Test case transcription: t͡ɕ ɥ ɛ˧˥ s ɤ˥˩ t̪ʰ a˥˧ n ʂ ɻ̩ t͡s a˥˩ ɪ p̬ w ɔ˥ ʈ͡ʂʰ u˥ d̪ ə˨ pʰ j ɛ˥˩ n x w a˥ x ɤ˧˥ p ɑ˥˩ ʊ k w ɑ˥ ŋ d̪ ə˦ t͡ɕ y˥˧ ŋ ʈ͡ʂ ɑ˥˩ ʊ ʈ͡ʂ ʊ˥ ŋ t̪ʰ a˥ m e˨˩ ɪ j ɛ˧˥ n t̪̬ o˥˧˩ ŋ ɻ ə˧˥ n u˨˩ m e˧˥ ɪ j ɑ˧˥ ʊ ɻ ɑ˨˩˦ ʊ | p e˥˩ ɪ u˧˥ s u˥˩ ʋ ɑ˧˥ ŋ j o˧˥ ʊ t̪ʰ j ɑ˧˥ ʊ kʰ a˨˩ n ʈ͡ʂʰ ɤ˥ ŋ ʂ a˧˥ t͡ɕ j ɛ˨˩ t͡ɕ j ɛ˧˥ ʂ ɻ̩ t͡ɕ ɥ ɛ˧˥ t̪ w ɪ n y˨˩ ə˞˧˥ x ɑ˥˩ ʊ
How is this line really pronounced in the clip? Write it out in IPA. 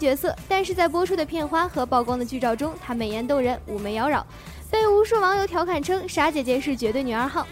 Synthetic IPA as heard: t͡ɕ ɥ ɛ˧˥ s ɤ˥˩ t̪ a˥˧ n ʂ ɻ̩ t͡s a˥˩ ɪ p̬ w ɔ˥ ʈ͡ʂʰ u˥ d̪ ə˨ pʰ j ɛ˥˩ n x w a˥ x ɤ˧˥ p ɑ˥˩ ʊ k w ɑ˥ ŋ d̪ ə˨ t͡ɕ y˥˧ ʈ͡ʂ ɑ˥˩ ʊ ʈ͡ʂ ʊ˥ ŋ t̪ʰ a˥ m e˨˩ ɪ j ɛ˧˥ n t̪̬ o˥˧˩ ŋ ɻ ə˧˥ n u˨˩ m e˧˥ ɪ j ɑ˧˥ ʊ ɻ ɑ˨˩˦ ʊ | p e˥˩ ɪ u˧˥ ʂ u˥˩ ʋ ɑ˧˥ ŋ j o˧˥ ʊ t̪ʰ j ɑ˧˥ ʊ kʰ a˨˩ n ʈ͡ʂʰ ɤ˥ ŋ ʂ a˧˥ t͡ɕ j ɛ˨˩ t͡ɕ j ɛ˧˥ ʂ ɻ̩ t͡ɕ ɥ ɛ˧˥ t̪ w ɪ n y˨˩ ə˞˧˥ x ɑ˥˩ ʊ